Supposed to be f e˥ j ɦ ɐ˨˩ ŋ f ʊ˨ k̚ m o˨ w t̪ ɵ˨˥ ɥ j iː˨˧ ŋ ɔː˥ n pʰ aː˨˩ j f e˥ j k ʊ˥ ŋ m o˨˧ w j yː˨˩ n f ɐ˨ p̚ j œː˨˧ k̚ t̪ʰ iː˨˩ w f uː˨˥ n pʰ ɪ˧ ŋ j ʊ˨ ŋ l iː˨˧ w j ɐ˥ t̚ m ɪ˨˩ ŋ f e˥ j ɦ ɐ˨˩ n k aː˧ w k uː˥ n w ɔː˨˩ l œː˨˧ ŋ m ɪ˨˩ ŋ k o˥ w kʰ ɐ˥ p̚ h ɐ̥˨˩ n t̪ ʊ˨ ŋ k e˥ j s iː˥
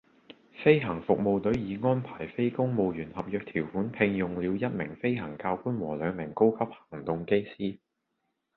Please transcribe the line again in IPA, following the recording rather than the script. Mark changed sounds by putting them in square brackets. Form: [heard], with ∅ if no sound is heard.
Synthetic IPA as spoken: f e˥ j ɦ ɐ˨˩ ŋ f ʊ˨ k̚ m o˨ w t̪ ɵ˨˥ ɥ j iː˨˧ ŋ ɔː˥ n pʰ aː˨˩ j f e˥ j k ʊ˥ ŋ m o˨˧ w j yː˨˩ n [h] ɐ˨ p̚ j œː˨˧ k̚ t̪ʰ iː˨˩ w f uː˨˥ n pʰ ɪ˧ ŋ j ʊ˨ ŋ l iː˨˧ w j ɐ˥ t̚ m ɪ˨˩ ŋ f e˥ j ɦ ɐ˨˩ [ŋ] k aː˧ w k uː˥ n w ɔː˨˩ l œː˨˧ ŋ m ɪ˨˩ ŋ k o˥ w kʰ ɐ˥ p̚ h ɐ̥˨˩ [ŋ] t̪ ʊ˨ ŋ k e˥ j s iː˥